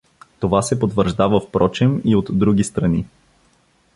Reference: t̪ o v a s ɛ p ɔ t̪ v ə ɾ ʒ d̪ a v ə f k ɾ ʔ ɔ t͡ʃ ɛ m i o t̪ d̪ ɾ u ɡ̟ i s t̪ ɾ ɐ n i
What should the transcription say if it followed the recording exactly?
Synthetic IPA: t̪ o v a s ɛ p o t̪ v ə ɾ ʒ d̪ a v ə f p ɾ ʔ ɔ t͡ʃ ɛ m i o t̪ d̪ ɾ u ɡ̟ i s t̪ ɾ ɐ n i